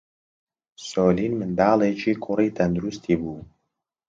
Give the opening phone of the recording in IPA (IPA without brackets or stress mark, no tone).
s